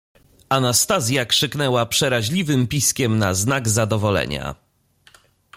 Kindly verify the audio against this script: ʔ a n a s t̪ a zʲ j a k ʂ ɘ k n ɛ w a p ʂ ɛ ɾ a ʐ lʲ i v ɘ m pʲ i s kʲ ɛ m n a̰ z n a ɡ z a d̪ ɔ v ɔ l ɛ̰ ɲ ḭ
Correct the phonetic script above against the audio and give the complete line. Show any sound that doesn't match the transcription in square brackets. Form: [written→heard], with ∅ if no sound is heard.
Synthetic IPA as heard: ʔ a n a s t̪ a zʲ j a k ʂ ɘ k n ɛ w a p ʂ ɛ ɾ a [ʐ→ʑ] lʲ i v ɘ m pʲ i s kʲ ɛ m n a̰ z n a ɡ z a d̪ ɔ v ɔ l ɛ̰ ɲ [ḭ→a̰]